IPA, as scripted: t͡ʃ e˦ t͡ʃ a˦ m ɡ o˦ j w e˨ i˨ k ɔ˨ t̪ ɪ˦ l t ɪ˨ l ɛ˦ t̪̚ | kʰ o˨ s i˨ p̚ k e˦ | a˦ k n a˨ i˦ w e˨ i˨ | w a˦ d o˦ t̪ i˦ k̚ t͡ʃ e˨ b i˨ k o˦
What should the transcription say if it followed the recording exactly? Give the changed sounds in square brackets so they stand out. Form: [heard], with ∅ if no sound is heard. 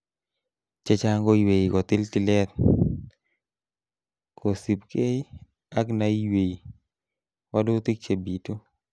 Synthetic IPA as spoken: t͡ʃ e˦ t͡ʃ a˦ [ŋ] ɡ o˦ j w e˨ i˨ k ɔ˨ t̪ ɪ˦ l t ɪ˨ l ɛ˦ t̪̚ | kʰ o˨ s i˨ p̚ k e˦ | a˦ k n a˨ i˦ w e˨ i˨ | w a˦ d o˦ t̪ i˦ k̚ t͡ʃ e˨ b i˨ [t] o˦